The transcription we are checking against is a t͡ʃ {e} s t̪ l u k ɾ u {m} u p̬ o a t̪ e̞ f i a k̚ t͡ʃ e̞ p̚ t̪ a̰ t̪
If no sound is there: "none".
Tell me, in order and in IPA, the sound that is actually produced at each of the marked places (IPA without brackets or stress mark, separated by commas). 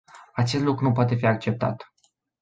e, n